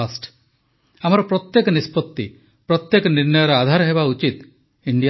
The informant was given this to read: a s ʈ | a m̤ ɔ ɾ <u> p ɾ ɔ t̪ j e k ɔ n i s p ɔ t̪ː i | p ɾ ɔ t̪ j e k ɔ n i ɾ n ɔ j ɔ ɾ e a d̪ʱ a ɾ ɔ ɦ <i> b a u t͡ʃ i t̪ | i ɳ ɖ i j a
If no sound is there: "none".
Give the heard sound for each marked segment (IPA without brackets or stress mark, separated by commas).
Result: ɔ, e